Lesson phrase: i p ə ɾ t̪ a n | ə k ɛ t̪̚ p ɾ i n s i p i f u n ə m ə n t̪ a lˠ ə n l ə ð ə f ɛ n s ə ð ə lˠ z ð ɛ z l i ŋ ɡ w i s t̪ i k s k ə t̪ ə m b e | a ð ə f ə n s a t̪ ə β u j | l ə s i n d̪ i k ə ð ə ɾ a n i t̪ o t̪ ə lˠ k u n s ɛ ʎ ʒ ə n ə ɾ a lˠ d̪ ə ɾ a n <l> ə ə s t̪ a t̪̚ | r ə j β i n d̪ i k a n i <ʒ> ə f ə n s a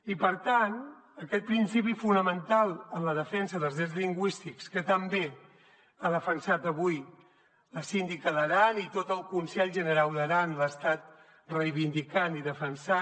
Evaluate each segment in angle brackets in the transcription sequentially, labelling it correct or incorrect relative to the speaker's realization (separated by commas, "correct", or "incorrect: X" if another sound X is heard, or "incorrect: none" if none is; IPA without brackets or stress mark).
correct, incorrect: ð